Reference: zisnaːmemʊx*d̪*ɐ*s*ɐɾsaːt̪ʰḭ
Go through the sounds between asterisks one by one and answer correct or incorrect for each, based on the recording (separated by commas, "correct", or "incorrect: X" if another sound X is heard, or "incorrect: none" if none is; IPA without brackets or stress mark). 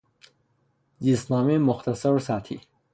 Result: incorrect: t̪, correct